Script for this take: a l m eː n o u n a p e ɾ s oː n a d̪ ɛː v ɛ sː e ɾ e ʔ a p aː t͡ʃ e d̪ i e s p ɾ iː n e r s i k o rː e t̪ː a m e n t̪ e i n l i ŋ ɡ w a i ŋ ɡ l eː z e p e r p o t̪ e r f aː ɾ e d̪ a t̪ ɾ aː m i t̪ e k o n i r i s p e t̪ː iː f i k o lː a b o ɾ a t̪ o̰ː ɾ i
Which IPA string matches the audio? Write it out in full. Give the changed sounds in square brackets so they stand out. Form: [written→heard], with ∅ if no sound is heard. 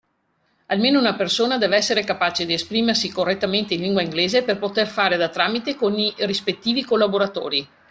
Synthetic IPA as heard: a l m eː n o u n a p e [ɾ→r] s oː n a d̪ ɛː v ɛ sː e ɾ e [ʔ→k] a p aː t͡ʃ e d̪ i e s p ɾ iː [n→m] e r s i k o rː e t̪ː a m e n t̪ e i n l i ŋ ɡ w a i ŋ ɡ l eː z e p e r p o t̪ e r f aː ɾ e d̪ a t̪ ɾ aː m i t̪ e k o n i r i s p e t̪ː iː [f→v] i k o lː a b o ɾ a t̪ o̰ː ɾ i

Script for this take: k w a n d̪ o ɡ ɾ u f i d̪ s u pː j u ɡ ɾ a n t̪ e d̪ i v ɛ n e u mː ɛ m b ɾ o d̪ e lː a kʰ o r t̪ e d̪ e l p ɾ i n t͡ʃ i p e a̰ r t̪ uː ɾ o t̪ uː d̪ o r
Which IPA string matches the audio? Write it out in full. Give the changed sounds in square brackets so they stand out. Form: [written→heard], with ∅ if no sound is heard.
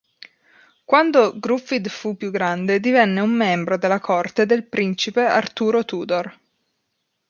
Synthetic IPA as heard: k w a n d̪ o ɡ ɾ u f i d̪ [s→f] u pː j u ɡ ɾ a n [t̪→d̪] e d̪ i v ɛ [n→nː] e u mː ɛ m b ɾ o d̪ e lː a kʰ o r t̪ e d̪ e l p ɾ i n t͡ʃ i p e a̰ r t̪ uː ɾ o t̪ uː d̪ o r

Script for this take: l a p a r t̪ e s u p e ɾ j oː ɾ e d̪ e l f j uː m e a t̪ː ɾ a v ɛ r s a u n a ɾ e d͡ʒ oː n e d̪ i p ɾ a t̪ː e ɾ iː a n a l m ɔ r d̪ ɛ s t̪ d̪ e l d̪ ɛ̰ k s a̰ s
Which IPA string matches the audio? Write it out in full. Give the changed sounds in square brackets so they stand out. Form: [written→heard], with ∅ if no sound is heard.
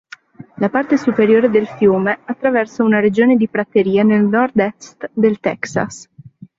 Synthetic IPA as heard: l a p a r t̪ e s u p e ɾ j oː ɾ e d̪ e l f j uː m e a t̪ː ɾ a v ɛ r s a u n a ɾ e d͡ʒ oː n e d̪ i p ɾ a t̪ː e ɾ iː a n [a→e] l [m→n] ɔ r d̪ ɛ s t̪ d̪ e l [d̪→t̪] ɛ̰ k s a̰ s

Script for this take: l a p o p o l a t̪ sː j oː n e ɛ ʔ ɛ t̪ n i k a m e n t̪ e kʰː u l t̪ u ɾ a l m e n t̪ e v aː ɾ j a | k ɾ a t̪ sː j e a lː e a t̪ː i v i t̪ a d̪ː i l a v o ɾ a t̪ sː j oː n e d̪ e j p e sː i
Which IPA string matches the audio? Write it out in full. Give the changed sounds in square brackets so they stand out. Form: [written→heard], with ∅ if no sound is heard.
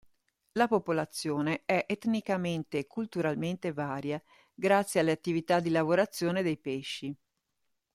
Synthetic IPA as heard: l a p o p o l a t̪ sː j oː n e ɛ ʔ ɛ t̪ n i k a m e n t̪ e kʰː u l t̪ u ɾ a l m e n t̪ e v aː ɾ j a | [k→ɡ] ɾ a t̪ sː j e a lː e a t̪ː i v i t̪ a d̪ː i l a v o ɾ a t̪ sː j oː n e d̪ e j p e [sː→ʃː] i

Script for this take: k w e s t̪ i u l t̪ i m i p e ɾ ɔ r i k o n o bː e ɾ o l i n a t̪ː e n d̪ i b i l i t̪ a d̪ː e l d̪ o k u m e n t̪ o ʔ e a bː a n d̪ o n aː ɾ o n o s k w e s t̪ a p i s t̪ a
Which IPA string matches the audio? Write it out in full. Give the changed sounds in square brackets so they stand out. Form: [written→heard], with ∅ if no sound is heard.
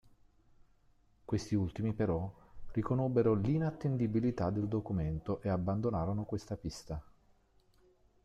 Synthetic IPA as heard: k w e s t̪ i u l t̪ i m i p e ɾ ɔ r i k o n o bː e ɾ o l i n a t̪ː e n d̪ i b i l i t̪ a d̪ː e l d̪ o k u m e n t̪ o ʔ e a bː a n d̪ o n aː ɾ o n o [s→∅] k w e s t̪ a p i s t̪ a

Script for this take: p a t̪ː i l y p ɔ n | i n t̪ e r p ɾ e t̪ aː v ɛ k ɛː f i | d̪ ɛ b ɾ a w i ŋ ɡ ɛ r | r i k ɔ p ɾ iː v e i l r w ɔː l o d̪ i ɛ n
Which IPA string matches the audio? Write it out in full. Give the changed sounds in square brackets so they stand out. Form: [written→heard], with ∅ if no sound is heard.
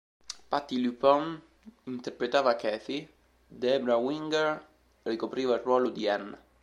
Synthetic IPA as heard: p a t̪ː i l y p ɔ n | i n t̪ e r p ɾ e t̪ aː v [ɛ→a] k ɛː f i | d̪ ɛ b ɾ a w i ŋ ɡ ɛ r | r i k [ɔ→o] p ɾ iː v [e→a] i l r w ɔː l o d̪ i ɛ n

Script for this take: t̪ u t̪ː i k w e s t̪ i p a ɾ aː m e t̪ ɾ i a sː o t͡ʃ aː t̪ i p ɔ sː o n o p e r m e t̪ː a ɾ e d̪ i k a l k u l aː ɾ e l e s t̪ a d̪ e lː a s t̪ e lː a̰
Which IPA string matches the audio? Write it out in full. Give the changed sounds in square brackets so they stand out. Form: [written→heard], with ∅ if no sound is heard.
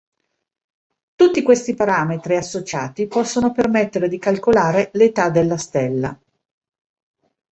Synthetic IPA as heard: t̪ u t̪ː i k w e s t̪ i p a ɾ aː m e t̪ ɾ i a sː o t͡ʃ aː t̪ i p ɔ sː o n o p e r m e t̪ː [a→e] ɾ e d̪ i k a l k [u→o] l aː ɾ e l e [s→∅] t̪ a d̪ e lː a s t̪ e lː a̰

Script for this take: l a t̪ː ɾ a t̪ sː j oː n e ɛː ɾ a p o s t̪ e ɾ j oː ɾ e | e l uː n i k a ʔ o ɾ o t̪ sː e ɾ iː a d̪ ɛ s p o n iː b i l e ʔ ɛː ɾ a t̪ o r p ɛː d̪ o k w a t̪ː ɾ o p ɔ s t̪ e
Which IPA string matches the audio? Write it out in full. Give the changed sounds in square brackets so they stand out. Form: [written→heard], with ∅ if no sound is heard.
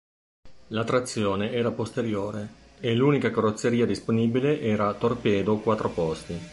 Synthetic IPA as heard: l a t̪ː ɾ a t̪ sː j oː n e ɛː ɾ a p o s t̪ e ɾ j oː ɾ e | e l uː n i k a [ʔ→k] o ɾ o t̪ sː e ɾ iː a d̪ [ɛ→i] s p o n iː b i l e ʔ ɛː ɾ a t̪ o r p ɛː d̪ o k w a t̪ː ɾ o p ɔ s t̪ [e→i]

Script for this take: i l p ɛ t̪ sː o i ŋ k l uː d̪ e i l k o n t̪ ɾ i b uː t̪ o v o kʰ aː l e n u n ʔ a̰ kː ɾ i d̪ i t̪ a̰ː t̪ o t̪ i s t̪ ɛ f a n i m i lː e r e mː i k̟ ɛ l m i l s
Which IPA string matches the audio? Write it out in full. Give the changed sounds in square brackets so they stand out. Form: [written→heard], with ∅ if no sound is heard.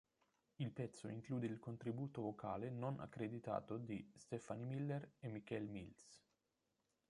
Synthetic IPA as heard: i l p ɛ t̪ sː o i ŋ k l uː d̪ e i l k o n t̪ ɾ i b uː t̪ o v o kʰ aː l e n [u→o] n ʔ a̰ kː ɾ [i→e] d̪ i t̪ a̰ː t̪ o [t̪→d̪] i s t̪ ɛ f a n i m i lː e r e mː i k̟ ɛ l m i l s

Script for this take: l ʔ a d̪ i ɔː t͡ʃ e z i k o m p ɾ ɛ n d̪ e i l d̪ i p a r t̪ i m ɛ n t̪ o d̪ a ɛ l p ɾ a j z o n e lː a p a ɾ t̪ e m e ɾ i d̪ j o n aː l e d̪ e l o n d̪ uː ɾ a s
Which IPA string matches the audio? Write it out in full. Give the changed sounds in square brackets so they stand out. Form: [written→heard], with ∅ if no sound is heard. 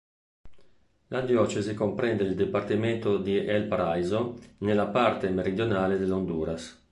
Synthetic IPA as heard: l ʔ a d̪ [i→j] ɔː t͡ʃ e z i k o m p ɾ ɛ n d̪ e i l d̪ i p a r t̪ i m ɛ n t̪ o d̪ [a→i] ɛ l p ɾ a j z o n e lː a p a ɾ t̪ e m e ɾ i d̪ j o n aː l e d̪ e l o n d̪ uː ɾ a s

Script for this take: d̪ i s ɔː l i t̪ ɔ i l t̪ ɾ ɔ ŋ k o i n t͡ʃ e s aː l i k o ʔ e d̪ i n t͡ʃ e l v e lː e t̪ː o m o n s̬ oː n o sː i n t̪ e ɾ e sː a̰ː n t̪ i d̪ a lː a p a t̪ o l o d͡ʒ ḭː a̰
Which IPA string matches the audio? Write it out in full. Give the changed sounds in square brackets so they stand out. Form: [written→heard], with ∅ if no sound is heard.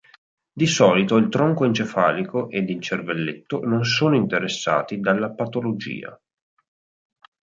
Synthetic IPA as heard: d̪ i s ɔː l i t̪ [ɔ→o] i l t̪ ɾ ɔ ŋ k o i n t͡ʃ e [s→f] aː l i k o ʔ e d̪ i n t͡ʃ e [l→r] v e lː e t̪ː o [m→n] o n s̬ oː n o [sː→∅] i n t̪ e ɾ e sː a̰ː [n→∅] t̪ i d̪ a lː a p a t̪ o l o d͡ʒ ḭː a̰

